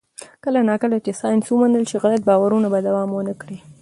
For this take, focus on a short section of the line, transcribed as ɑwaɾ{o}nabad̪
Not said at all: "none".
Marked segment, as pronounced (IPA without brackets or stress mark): u